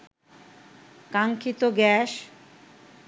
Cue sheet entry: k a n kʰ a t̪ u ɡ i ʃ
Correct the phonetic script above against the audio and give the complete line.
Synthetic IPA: k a ŋ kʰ i t̪ o ɡ ɛ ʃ